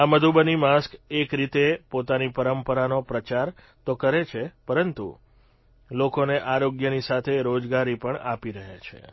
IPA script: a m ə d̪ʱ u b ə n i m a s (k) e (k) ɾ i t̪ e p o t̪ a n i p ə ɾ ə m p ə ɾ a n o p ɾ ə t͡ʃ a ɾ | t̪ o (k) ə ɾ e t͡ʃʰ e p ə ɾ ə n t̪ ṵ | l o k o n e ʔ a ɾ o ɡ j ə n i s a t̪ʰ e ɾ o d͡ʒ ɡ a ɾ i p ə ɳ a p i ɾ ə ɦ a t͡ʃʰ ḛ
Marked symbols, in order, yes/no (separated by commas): yes, yes, yes